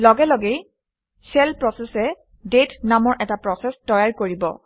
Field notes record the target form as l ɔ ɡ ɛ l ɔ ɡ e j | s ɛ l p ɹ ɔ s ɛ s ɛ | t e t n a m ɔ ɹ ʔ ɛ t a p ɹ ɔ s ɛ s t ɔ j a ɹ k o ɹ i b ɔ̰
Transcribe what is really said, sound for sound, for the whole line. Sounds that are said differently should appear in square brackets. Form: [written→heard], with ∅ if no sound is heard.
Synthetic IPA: l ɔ ɡ ɛ l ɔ ɡ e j | s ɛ l p ɹ ɔ s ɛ s ɛ | [t→d] e t n a m ɔ ɹ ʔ ɛ t a p ɹ ɔ s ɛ s t ɔ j a ɹ k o ɹ i b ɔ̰

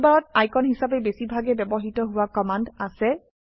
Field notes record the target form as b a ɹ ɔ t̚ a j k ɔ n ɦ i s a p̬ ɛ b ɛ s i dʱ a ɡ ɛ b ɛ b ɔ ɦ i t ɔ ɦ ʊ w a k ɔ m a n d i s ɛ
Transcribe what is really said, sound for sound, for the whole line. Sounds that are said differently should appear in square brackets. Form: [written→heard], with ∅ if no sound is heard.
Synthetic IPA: b a ɹ ɔ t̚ a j k ɔ n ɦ i s a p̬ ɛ b [ɛ→e] s i [dʱ→bʱ] a ɡ ɛ b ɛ b ɔ ɦ i t ɔ ɦ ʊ w a k ɔ m a n d [i→a] s ɛ

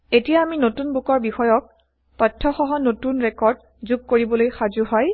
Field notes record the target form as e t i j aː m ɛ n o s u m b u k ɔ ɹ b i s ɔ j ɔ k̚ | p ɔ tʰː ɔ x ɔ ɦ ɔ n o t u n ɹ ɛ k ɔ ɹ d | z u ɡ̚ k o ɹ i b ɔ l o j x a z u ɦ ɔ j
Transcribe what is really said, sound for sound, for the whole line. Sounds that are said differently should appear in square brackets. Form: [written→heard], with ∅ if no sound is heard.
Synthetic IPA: e t i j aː m [ɛ→i] n o [s→t] u [m→n] b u k ɔ ɹ b i [s→x] ɔ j ɔ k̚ | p ɔ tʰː ɔ x ɔ ɦ ɔ n o t u n ɹ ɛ k ɔ ɹ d | z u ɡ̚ k o ɹ i b ɔ l o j x a z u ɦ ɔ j

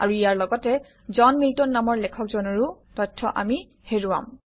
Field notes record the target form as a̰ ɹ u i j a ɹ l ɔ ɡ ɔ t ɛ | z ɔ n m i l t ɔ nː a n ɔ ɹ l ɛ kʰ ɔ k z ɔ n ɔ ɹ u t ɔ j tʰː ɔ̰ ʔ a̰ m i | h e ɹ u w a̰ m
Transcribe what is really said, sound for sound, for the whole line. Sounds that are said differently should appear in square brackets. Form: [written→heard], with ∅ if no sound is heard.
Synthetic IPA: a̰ ɹ u i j a ɹ l ɔ ɡ ɔ t ɛ | z ɔ n m i l t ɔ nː a [n→m] ɔ ɹ l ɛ kʰ ɔ k z ɔ n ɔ ɹ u t ɔ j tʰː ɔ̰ ʔ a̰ m i | h e ɹ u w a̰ m

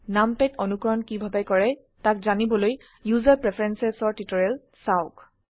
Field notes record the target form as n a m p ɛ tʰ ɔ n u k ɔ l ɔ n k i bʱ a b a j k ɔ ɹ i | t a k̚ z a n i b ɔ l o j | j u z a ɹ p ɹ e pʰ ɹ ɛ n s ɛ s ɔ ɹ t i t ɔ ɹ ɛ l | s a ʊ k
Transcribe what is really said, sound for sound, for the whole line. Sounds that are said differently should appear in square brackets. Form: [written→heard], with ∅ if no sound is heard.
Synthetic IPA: n a m p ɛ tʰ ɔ n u k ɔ [l→ɹ] ɔ n k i bʱ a b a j k ɔ ɹ [i→ɛ] | t a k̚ z a n i b ɔ l o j | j u z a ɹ p ɹ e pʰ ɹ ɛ n s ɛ s ɔ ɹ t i t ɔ ɹ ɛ l | s a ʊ k

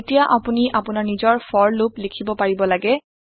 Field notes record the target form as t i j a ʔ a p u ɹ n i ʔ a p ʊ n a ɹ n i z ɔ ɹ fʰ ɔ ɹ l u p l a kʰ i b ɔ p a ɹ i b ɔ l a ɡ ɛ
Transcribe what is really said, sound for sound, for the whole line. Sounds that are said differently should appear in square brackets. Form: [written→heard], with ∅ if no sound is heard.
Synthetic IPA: t i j a ʔ a p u [ɹ→∅] n i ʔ a p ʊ n a ɹ n i z ɔ ɹ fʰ ɔ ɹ l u p l [a→i] kʰ i b ɔ p a ɹ i b ɔ l a ɡ ɛ

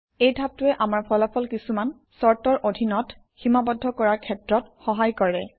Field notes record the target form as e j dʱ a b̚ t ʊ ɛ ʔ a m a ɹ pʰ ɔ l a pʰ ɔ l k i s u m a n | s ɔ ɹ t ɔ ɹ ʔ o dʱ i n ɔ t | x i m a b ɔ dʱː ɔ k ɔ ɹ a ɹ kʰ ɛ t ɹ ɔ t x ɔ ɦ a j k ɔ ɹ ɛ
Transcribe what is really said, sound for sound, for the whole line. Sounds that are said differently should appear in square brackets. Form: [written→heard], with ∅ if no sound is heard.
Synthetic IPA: e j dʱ a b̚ t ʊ ɛ ʔ a m a ɹ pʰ ɔ l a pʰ ɔ l k i s u m a n | s ɔ ɹ t ɔ ɹ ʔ o dʱ i n ɔ t | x i m a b ɔ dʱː ɔ k ɔ ɹ a ɹ kʰ ɛ t ɹ ɔ t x ɔ ɦ a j k ɔ ɹ ɛ

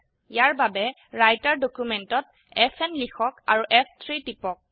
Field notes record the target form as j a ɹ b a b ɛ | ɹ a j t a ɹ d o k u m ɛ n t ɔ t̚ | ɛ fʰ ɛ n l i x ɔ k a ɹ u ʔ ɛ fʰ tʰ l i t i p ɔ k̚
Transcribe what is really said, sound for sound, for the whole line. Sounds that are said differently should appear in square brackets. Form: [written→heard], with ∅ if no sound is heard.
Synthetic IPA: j a ɹ b a b ɛ | ɹ a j t a ɹ d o k u m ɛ n t ɔ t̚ | ɛ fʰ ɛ n l i x ɔ k a ɹ u ʔ ɛ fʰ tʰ [l→ɹ] i t i p ɔ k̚

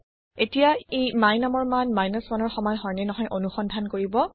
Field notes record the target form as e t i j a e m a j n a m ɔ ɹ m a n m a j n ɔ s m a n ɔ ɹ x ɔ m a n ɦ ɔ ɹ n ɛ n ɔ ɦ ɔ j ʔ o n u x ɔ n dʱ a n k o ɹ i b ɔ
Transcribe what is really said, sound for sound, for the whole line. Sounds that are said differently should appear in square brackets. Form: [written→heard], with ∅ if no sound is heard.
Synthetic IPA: e t i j a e m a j n a m ɔ ɹ m a n m a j n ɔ s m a n ɔ ɹ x ɔ m a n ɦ ɔ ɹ n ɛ n ɔ ɦ ɔ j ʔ o n u x ɔ n dʱ a n k o ɹ i b ɔ

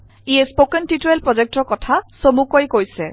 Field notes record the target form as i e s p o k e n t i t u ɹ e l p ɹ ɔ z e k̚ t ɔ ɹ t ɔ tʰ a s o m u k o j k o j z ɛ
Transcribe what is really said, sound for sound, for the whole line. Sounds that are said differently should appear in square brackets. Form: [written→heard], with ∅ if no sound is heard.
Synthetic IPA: i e s p o k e n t i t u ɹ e l p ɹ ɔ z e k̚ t ɔ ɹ [t→k] ɔ tʰ a s o m u k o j k o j [z→s] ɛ

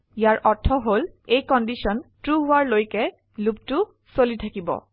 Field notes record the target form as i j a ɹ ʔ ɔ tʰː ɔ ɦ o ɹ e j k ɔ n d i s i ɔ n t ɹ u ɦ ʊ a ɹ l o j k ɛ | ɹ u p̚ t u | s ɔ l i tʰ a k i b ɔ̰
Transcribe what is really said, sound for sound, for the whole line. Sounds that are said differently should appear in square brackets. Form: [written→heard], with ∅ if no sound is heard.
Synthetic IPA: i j a ɹ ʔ ɔ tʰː ɔ ɦ o [ɹ→l] e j k ɔ n d i s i ɔ n t ɹ u ɦ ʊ a ɹ l o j k ɛ | [ɹ→l] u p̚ t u | s [ɔ→o] l i tʰ a k i b ɔ̰

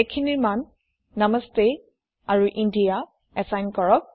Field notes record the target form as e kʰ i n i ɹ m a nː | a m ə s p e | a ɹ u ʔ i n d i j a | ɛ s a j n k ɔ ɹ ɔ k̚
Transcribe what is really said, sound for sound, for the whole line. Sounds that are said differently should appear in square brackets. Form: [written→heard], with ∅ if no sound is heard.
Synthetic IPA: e kʰ i n i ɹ m a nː | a m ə s [p→t] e | a ɹ u ʔ i n d i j a | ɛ s a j n k ɔ ɹ ɔ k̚

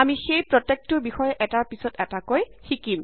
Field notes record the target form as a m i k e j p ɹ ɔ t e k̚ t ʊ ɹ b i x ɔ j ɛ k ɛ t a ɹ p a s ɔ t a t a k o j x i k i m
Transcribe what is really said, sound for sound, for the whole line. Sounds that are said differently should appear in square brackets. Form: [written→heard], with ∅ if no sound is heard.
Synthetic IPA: a m i [k→x] e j p ɹ ɔ t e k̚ t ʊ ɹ b i x ɔ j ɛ [k→ʔ] ɛ t a ɹ p [a→i] s ɔ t [a→ɛ] t a k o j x i k i m

